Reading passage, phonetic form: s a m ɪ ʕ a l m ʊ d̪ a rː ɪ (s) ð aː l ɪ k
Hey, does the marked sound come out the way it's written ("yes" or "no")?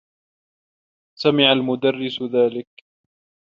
yes